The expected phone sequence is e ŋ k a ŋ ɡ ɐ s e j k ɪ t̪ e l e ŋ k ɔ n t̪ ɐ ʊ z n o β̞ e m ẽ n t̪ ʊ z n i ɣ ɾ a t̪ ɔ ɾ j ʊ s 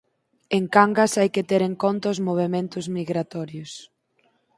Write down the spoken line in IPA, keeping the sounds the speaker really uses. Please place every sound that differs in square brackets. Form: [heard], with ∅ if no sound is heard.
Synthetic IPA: e ŋ k a ŋ ɡ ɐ s [a] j k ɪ t̪ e [ɾ] e ŋ k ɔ n t̪ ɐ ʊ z [m] o β̞ e m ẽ n t̪ ʊ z [m] i ɣ ɾ a t̪ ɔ ɾ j ʊ s